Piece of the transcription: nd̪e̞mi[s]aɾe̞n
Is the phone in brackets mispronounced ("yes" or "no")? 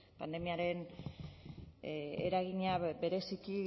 yes